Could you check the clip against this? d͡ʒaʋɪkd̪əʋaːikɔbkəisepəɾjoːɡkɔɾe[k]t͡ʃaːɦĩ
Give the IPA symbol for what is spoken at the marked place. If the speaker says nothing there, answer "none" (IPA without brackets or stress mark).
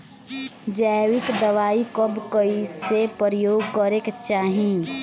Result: k